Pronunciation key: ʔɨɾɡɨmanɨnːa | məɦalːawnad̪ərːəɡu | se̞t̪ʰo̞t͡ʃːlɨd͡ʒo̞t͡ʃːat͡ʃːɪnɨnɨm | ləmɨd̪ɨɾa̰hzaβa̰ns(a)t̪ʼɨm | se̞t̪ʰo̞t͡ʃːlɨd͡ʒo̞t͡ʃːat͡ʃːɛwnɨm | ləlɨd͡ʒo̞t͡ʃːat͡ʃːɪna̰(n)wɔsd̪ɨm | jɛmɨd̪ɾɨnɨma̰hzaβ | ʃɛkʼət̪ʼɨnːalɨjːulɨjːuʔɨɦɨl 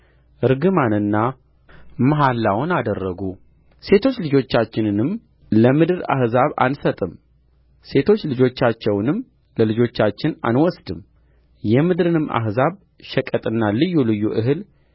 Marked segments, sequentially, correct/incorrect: incorrect: ə, correct

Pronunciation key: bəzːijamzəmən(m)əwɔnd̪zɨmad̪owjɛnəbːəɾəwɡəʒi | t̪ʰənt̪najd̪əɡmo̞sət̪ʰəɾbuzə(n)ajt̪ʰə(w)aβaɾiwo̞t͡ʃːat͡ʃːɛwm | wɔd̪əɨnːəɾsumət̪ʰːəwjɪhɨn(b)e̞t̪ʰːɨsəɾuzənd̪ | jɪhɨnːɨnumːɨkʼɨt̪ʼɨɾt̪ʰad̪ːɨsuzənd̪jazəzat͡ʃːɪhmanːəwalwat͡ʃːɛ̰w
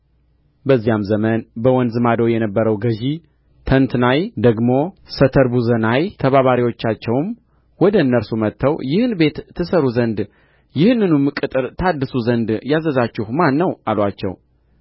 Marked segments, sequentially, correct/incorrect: incorrect: b, correct, incorrect: β, correct

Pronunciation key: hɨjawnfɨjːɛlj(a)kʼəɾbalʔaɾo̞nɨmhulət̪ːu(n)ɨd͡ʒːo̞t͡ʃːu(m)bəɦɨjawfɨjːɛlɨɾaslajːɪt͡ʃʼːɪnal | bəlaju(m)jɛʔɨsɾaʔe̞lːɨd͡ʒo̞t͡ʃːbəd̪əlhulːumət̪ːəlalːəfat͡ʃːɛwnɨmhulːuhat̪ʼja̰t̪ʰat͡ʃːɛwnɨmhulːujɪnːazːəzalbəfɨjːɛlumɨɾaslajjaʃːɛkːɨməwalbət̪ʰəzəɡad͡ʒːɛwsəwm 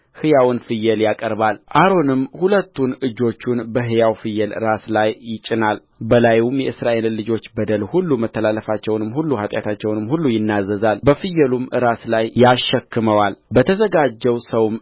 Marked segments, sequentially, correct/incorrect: correct, correct, incorrect: n, correct

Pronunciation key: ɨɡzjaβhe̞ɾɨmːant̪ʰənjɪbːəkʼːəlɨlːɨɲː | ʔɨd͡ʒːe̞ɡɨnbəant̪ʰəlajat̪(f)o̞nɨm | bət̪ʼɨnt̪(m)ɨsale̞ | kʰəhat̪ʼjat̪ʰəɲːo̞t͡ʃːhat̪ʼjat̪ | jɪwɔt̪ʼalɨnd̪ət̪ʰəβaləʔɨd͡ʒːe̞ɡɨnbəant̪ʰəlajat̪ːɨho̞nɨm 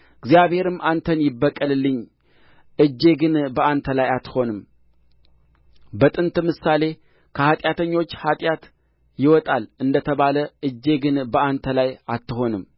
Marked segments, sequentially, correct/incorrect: incorrect: h, correct

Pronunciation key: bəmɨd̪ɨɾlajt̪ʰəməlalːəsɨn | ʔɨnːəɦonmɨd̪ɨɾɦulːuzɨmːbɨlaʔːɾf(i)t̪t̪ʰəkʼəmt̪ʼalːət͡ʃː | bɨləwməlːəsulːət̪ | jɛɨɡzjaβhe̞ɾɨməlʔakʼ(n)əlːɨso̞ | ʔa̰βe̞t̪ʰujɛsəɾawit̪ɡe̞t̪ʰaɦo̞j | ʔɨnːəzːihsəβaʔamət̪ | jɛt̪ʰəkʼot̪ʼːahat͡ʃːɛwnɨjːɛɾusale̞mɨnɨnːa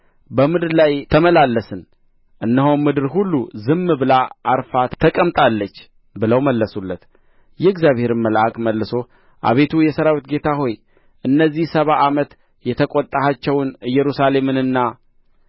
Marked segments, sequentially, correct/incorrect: incorrect: a, incorrect: m

